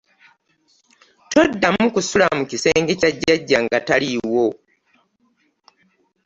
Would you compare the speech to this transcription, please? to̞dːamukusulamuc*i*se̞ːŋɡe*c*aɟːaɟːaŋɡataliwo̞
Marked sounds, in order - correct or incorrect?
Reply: correct, correct

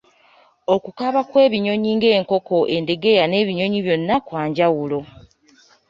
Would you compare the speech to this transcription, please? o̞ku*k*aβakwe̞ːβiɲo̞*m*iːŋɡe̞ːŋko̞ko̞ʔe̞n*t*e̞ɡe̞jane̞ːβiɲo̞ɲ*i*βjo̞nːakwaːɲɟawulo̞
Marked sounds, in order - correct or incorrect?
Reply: correct, incorrect, incorrect, correct

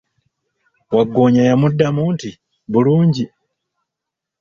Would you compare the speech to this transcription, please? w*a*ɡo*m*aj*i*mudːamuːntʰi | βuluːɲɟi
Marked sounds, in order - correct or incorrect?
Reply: correct, incorrect, incorrect

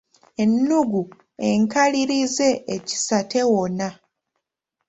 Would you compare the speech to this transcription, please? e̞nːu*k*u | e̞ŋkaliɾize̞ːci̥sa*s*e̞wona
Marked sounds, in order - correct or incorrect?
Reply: incorrect, incorrect

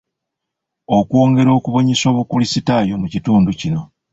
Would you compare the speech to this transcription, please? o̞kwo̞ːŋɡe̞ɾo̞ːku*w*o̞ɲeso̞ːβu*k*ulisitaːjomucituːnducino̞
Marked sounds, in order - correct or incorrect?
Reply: incorrect, correct

